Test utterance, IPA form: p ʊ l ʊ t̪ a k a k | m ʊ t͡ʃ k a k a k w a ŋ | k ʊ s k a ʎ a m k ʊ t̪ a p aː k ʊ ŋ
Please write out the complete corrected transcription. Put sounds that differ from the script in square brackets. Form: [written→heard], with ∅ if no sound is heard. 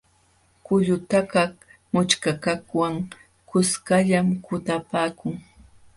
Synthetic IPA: [p→k] ʊ [l→ʎ] ʊ t̪ a k a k | m ʊ t͡ʃ k a k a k w a ŋ | k ʊ s k a ʎ a m k ʊ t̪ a p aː k ʊ ŋ